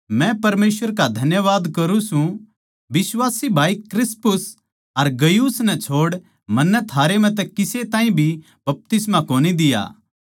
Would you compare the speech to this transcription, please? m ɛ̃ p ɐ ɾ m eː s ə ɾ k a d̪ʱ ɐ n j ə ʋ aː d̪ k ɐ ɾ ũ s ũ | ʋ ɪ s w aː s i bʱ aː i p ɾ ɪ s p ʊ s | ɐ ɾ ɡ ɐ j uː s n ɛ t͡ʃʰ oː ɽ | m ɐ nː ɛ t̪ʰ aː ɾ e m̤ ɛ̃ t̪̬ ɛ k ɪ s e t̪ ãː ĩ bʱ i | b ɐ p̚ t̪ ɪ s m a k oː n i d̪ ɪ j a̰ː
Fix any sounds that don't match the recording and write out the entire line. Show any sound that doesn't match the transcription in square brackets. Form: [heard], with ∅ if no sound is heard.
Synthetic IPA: m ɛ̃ p ɐ ɾ m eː s ə ɾ k a d̪ʱ ɐ n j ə ʋ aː d̪ k ɐ ɾ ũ s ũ | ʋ ɪ s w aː s i bʱ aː i [k] ɾ ɪ s p ʊ s | ɐ ɾ ɡ ɐ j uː s n ɛ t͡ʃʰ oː ɽ | m ɐ nː ɛ t̪ʰ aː ɾ e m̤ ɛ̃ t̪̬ ɛ k ɪ s e t̪ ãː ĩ bʱ i | b ɐ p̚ t̪ ɪ s m a k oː n i d̪ ɪ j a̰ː